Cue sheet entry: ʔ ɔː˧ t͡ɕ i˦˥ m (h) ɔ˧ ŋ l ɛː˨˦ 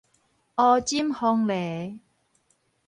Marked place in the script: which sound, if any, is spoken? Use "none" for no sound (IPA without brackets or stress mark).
h